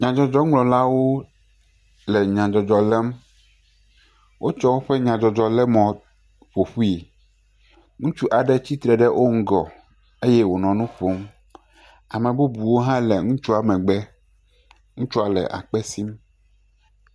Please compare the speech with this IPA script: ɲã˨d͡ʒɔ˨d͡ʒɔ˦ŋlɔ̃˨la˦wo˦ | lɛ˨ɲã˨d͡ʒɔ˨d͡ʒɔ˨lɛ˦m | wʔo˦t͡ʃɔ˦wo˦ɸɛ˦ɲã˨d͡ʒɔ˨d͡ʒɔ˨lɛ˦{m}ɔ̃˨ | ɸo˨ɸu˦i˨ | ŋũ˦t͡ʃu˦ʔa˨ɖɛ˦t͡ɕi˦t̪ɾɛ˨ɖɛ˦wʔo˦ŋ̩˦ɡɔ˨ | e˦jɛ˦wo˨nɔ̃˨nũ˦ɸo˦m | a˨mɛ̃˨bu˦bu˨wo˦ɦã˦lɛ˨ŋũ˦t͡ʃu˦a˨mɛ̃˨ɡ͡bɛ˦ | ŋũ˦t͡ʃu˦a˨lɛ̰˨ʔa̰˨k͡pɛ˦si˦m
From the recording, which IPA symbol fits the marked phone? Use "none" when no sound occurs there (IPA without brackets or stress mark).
m